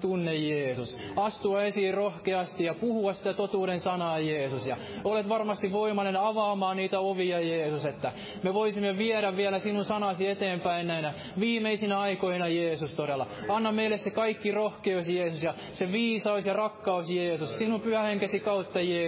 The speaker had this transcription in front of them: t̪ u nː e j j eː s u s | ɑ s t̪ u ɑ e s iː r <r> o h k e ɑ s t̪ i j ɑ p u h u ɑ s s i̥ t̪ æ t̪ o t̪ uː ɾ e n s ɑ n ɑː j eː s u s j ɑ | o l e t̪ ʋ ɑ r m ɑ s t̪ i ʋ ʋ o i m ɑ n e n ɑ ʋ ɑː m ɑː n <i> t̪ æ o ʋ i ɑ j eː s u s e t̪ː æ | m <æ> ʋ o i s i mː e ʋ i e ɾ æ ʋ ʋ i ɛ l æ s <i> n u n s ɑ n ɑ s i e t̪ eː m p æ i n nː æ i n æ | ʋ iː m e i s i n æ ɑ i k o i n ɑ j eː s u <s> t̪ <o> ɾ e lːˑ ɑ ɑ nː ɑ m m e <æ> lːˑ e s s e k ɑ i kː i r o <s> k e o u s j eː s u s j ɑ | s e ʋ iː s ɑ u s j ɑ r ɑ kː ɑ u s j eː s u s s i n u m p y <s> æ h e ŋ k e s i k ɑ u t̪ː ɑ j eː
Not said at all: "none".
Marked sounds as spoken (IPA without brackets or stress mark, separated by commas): r, iː, e, i, s, o, i, h, h